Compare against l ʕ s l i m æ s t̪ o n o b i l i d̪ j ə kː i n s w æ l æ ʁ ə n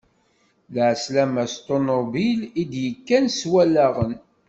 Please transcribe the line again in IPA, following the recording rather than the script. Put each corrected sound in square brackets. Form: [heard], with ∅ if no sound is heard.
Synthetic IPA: l ʕ s l [æ] m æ s t̪ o n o b i l i d̪ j ə kː [æ] n s w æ l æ ʁ ə n